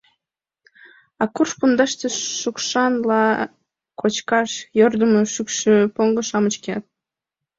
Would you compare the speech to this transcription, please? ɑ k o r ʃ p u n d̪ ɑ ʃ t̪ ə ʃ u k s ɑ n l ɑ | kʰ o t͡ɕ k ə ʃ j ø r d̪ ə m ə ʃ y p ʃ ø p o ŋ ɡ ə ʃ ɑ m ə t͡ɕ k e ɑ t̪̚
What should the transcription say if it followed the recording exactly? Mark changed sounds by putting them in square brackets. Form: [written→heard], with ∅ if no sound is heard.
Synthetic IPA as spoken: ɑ k [o→u] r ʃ p u n d̪ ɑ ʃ t̪ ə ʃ u k [s→ʃ] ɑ n l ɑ | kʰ o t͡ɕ k [ə→ɑ] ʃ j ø r d̪ ə m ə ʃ y [p→k] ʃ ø p o ŋ ɡ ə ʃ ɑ m ə t͡ɕ k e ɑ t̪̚